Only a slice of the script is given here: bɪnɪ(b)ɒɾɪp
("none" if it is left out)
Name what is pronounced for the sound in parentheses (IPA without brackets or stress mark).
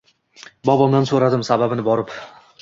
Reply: b